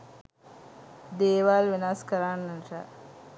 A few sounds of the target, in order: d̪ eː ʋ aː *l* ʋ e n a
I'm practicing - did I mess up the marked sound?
no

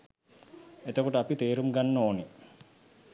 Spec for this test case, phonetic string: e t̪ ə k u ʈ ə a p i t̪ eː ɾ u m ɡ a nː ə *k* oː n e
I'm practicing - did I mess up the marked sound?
yes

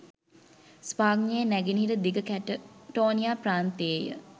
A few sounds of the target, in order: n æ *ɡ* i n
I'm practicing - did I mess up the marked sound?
no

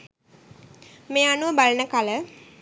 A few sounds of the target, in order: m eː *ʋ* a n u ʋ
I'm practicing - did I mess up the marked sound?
yes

